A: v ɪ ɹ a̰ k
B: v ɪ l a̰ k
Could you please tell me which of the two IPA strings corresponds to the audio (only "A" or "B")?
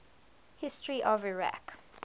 A